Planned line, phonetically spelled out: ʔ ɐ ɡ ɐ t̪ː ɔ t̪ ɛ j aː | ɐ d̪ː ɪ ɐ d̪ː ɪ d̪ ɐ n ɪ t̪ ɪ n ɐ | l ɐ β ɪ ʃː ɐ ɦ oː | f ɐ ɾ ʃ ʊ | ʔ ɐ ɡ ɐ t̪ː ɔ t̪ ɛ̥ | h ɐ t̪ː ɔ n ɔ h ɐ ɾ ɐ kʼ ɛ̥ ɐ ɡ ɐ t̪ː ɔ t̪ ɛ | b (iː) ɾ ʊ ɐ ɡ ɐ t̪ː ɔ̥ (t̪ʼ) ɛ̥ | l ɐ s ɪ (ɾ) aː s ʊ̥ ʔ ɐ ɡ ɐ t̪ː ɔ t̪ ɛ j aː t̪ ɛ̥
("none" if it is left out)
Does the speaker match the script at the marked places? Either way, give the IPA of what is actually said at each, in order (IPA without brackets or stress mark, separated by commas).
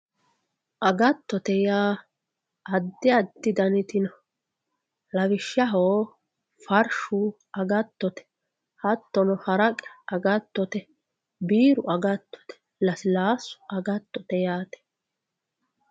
iː, t̪, l